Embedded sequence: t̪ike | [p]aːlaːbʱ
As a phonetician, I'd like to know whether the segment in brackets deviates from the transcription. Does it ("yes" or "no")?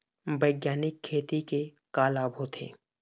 yes